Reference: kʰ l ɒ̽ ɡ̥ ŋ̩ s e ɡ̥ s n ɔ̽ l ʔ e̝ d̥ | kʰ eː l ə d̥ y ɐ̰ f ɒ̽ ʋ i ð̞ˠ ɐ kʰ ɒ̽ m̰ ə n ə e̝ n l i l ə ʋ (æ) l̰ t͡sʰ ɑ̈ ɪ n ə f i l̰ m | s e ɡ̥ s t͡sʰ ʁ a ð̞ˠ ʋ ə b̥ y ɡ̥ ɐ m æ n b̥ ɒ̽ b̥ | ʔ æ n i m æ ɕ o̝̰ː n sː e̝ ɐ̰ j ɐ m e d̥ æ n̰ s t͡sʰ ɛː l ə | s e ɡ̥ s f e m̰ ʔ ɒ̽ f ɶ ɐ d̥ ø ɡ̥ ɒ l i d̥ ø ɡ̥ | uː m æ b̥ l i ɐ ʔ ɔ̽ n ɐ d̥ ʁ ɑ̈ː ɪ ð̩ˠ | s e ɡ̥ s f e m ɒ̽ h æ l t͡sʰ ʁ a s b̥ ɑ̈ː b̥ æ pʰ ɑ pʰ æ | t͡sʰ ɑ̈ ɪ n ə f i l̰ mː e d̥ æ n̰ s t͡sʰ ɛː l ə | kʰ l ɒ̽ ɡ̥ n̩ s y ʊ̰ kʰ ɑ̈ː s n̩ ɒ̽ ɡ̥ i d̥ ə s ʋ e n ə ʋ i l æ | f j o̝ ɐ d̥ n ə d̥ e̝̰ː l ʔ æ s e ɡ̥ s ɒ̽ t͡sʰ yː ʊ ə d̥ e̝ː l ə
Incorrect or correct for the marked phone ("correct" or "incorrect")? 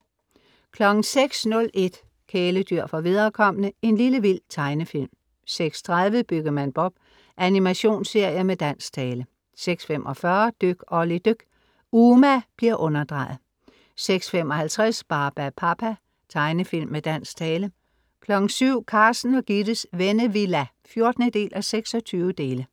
incorrect